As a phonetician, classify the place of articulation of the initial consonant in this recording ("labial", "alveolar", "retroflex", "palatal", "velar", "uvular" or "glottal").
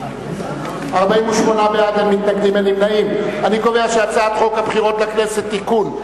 uvular